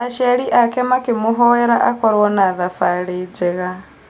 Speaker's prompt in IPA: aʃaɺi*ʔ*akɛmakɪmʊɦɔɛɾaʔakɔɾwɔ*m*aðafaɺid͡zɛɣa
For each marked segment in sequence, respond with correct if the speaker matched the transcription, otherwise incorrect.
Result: correct, incorrect

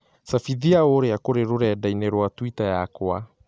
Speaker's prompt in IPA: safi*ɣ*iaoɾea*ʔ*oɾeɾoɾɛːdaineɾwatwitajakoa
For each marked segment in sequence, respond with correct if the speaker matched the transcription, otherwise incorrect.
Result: incorrect, incorrect

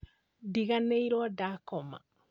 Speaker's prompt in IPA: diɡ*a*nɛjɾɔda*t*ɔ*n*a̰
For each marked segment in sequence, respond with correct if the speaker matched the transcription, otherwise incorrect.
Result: correct, incorrect, incorrect

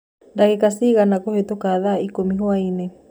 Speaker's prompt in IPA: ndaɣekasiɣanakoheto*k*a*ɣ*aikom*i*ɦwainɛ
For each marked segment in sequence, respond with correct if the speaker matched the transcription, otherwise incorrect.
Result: correct, incorrect, correct

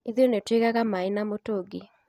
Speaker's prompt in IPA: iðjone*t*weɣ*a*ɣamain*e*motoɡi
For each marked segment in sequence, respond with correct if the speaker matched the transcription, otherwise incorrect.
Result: correct, correct, incorrect

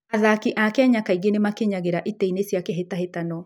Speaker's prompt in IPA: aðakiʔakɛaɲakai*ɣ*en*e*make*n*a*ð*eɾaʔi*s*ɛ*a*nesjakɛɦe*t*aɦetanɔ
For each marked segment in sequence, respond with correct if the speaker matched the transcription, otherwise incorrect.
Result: correct, correct, incorrect, incorrect, incorrect, incorrect, correct

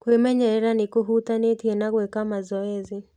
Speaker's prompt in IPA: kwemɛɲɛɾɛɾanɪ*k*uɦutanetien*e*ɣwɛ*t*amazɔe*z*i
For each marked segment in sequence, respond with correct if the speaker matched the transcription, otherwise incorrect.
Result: correct, incorrect, incorrect, correct

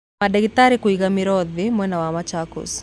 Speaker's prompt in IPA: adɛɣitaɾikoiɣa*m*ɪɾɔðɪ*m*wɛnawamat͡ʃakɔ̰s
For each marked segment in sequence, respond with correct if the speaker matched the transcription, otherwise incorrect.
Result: correct, correct

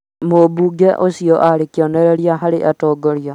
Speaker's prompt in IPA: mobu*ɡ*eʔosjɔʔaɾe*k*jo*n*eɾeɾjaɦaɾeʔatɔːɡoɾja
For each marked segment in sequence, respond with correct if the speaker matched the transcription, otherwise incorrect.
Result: correct, correct, correct

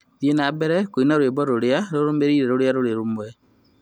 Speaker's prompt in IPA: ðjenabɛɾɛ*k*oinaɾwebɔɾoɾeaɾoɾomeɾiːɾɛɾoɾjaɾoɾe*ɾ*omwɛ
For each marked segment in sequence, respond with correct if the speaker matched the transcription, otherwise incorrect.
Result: correct, correct

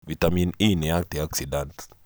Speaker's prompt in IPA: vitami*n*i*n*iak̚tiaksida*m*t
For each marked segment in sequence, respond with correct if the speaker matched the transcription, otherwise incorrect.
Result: correct, correct, incorrect

